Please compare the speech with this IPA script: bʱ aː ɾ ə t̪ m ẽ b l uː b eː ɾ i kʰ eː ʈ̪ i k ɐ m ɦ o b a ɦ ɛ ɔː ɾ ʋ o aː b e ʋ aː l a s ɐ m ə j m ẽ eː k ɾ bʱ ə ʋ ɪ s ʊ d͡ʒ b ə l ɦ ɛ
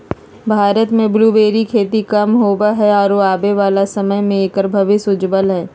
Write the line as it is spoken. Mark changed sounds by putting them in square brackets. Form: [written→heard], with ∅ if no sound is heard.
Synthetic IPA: bʱ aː ɾ ə t̪ m ẽ b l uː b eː ɾ i kʰ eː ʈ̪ i k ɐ m ɦ o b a ɦ ɛ ɔː ɾ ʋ o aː b e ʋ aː l a s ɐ m ə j m ẽ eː k ɾ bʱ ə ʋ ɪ s ʊ d͡ʒ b ə l ɦ [ɛ→ɛː]